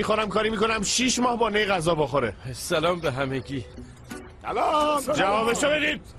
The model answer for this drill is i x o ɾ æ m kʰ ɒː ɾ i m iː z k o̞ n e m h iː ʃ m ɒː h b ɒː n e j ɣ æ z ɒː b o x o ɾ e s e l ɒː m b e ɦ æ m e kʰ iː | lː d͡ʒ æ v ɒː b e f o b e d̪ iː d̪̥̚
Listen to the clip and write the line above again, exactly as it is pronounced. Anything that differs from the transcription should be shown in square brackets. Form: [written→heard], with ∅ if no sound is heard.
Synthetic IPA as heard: i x o ɾ æ m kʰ ɒː ɾ i m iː [z→∅] k o̞ n [e→æ] m [h→ʃ] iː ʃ m ɒː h b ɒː n e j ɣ æ z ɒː b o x o ɾ e s [e→æ] l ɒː m b e ɦ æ m e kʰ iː | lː d͡ʒ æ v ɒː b e [f→ʃ] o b e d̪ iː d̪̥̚